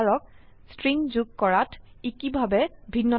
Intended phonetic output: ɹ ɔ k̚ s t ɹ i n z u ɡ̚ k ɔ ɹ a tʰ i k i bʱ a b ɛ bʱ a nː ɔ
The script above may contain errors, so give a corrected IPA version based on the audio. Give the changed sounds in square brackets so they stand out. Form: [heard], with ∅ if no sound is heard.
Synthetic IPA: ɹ ɔ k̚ s t ɹ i [ŋ] z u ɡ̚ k ɔ ɹ a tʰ i k i bʱ a b ɛ bʱ [i] nː ɔ